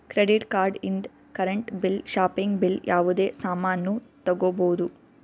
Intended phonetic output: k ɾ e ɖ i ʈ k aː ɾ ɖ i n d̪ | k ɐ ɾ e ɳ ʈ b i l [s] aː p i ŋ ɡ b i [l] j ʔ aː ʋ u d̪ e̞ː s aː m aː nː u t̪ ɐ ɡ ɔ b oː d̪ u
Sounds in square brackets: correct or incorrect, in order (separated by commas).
incorrect, correct